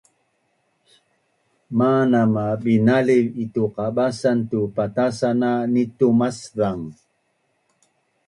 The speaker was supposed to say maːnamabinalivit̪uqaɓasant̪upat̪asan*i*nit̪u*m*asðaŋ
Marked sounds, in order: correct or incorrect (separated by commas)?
incorrect, correct